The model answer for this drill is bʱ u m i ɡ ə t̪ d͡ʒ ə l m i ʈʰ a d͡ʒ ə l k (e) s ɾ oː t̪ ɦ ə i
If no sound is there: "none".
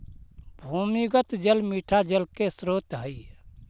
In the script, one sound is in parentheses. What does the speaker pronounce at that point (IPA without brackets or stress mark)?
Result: e